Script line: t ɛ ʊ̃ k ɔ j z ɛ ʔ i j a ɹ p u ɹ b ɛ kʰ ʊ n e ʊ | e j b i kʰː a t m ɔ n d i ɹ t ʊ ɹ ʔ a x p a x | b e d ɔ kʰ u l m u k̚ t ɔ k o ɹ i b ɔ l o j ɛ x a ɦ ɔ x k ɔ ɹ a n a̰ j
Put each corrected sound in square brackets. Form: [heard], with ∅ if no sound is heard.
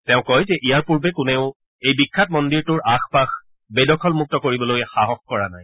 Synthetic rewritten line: t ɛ ʊ̃ k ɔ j z ɛ ʔ i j a ɹ p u ɹ b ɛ [k] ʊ n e ʊ | e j b i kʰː a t m ɔ n d i ɹ t ʊ ɹ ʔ a x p a x | b e d ɔ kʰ [ɔ] l m u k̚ t ɔ k o ɹ i b ɔ l o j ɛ x a ɦ ɔ x k ɔ ɹ a n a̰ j

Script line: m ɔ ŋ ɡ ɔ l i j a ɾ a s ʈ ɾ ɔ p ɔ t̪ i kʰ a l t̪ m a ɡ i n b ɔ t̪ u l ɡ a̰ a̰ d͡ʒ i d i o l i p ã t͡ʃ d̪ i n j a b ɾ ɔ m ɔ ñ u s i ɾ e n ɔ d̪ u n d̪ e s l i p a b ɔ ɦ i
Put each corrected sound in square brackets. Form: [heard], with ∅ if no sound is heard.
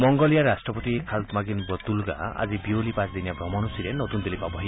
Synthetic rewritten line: m ɔ ŋ ɡ ɔ l i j a ɾ a s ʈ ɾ ɔ p ɔ t̪ i kʰ a l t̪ m a ɡ i n b ɔ t̪ u l ɡ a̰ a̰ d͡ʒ i [b] i o l i p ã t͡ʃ d̪ i n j a b ɾ ɔ m ɔ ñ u s i ɾ e n ɔ [t̪] u n d̪ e [∅] l i p a b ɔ ɦ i

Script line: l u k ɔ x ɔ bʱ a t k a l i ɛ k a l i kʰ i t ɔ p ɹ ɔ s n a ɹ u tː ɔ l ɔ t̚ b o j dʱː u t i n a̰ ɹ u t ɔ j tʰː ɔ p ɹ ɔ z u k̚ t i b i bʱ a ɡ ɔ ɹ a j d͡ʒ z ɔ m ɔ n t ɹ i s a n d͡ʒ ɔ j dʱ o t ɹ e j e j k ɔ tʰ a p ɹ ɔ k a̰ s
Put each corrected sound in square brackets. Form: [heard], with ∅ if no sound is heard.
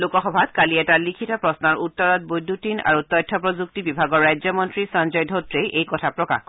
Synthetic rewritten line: l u k ɔ x ɔ bʱ a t k a l i ɛ [t] a l i kʰ i t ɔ p ɹ ɔ s n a ɹ u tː ɔ [ɹ] ɔ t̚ b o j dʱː u t i n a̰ ɹ u t ɔ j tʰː ɔ p ɹ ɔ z u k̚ t i b i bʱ a ɡ ɔ ɹ a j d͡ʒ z ɔ m ɔ n t ɹ i s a n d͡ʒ ɔ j dʱ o t ɹ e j e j k ɔ tʰ a p ɹ ɔ k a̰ [x]

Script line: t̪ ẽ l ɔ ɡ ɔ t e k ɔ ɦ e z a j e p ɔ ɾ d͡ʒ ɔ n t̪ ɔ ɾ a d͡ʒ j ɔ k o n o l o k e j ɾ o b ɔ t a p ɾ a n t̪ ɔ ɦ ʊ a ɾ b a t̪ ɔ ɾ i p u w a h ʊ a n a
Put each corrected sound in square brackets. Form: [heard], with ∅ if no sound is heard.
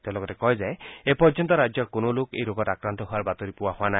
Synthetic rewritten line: t̪ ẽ l ɔ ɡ ɔ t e k ɔ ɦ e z a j e p ɔ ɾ d͡ʒ ɔ n t̪ ɔ ɾ a d͡ʒ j ɔ k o n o l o k e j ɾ o [ɡ] ɔ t a [k] ɾ a n t̪ ɔ ɦ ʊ a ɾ b a t̪ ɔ ɾ i p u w a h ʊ a n a

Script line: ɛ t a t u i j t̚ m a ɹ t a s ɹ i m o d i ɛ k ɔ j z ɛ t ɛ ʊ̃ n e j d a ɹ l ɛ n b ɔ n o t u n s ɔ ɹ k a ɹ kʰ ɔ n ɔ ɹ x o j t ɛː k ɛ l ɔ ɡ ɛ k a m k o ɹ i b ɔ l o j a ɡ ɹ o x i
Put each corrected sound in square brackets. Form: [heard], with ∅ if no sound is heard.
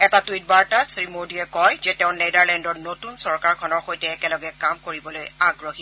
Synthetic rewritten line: ɛ t a t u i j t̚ [b] a ɹ t a s ɹ i m o d i ɛ k ɔ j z ɛ t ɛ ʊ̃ n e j d a ɹ l ɛ n [d] ɔ n o t u n s ɔ ɹ k a ɹ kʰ ɔ n ɔ ɹ x o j t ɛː k ɛ l ɔ ɡ ɛ k a m k o ɹ i b ɔ l o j a ɡ ɹ o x i

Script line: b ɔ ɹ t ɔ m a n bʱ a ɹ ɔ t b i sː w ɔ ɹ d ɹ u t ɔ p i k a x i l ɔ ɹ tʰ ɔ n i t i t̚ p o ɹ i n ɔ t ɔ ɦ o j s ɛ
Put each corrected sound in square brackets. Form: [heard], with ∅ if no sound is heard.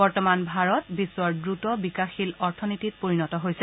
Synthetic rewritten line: b ɔ ɹ t ɔ m a n bʱ a ɹ ɔ t b i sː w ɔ ɹ d ɹ u t ɔ [b] i k a x i l ɔ ɹ tʰ ɔ n i t i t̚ p o ɹ i n ɔ t ɔ ɦ o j s ɛ

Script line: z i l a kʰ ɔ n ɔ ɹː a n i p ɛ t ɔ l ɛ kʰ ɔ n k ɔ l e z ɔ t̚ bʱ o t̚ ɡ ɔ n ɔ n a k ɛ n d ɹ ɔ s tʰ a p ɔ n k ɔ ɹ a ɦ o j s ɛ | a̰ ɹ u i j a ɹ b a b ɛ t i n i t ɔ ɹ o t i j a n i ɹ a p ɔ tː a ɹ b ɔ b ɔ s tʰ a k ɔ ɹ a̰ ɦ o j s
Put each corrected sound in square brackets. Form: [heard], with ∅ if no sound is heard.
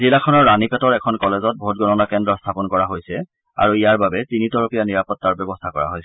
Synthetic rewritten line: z i l a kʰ ɔ n ɔ ɹː a n i p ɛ t ɔ [ɹ] ɛ kʰ ɔ n k ɔ l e z ɔ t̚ bʱ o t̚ ɡ ɔ n ɔ n a k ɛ n d ɹ ɔ s tʰ a p ɔ n k ɔ ɹ a ɦ o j s ɛ | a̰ ɹ u i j a ɹ b a b ɛ t i n i t ɔ ɹ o [p] i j a n i ɹ a p ɔ tː a ɹ b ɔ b ɔ s tʰ a k ɔ ɹ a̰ ɦ o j s

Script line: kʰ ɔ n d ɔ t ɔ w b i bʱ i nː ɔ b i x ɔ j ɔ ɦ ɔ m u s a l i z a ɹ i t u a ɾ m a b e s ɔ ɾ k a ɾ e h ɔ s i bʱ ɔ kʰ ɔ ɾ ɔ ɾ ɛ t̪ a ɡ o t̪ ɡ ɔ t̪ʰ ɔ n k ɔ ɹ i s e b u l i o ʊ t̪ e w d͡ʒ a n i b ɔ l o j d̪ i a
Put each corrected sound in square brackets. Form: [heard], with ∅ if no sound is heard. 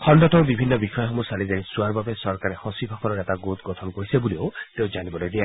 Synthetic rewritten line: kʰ ɔ n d ɔ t ɔ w b i bʱ i nː ɔ b i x ɔ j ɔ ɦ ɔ m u s a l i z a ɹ i [s] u a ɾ [b] a b e s ɔ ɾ k a ɾ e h ɔ s i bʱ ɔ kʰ ɔ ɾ ɔ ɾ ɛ t̪ a ɡ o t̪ ɡ ɔ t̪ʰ ɔ n k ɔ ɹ i s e b u l i o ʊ t̪ e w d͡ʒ a n i b ɔ l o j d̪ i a

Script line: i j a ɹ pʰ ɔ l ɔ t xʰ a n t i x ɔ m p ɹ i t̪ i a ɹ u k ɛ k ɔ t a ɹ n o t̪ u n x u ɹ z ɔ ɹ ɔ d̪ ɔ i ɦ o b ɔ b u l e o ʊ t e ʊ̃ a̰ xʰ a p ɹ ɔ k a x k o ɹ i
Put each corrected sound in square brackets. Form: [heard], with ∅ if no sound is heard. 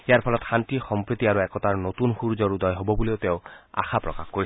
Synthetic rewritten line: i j a ɹ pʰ ɔ l ɔ t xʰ a n t i x ɔ m p ɹ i t̪ i a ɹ u [∅] ɛ k ɔ t a ɹ n o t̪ u n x u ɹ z ɔ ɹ [u] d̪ ɔ [j] ɦ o b ɔ b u l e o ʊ t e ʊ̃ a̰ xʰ a p ɹ ɔ k a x k o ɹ i

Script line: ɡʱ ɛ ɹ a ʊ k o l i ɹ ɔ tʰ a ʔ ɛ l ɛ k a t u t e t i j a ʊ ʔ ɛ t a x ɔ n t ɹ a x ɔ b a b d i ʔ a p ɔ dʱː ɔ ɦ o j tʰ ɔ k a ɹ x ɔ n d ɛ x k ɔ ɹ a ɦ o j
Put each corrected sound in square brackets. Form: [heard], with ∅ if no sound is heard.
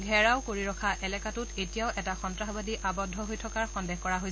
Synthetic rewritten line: ɡʱ ɛ ɹ a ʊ k o [ɹ] i ɹ ɔ [kʰ] a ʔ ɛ l ɛ k a t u t e t i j a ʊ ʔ ɛ t a x ɔ n t ɹ a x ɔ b a [∅] d i ʔ a [b] ɔ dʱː ɔ ɦ o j tʰ ɔ k a ɹ x ɔ n d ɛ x k ɔ ɹ a ɦ o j

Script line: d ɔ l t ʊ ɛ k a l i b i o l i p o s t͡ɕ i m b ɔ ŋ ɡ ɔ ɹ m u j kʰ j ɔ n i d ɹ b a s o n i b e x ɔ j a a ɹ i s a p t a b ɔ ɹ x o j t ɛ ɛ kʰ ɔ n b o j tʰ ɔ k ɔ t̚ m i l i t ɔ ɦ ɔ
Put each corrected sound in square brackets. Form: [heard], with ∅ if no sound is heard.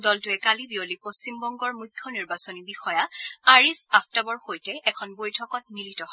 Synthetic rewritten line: d ɔ l t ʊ ɛ k a l i b i o l i p o s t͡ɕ i m b ɔ ŋ ɡ ɔ ɹ m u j kʰ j ɔ n i [∅] ɹ b a s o n i b [i] x ɔ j a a ɹ i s a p t a b ɔ ɹ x o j t ɛ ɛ kʰ ɔ n b o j tʰ ɔ k ɔ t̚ m i l i t ɔ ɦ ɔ

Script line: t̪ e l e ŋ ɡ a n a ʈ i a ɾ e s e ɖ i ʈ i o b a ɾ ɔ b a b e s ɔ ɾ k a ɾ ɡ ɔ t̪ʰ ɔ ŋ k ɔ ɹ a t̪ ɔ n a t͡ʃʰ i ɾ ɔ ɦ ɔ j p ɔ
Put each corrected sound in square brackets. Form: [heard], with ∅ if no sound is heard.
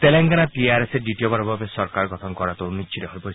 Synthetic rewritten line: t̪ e l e ŋ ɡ a n a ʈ i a ɾ e s e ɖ i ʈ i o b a ɾ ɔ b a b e s ɔ ɾ k a ɾ ɡ ɔ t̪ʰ ɔ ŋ k ɔ [ɾ] a t̪ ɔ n [i] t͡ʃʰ i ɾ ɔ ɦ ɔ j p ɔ

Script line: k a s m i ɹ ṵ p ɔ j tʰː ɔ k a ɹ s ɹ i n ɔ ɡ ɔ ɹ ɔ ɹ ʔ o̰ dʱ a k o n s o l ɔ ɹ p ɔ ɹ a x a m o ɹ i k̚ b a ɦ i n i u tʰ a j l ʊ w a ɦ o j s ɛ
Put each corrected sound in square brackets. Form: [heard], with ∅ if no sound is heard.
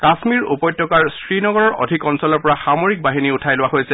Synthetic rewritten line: k a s m i ɹ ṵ p ɔ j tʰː ɔ k a ɹ s ɹ i n ɔ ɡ ɔ ɹ ɔ ɹ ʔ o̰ dʱ [i] k [ɔ] n s [ɔ] l ɔ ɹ p ɔ ɹ a x a m o ɹ i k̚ b a ɦ i n i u tʰ a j l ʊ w a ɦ o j s ɛ

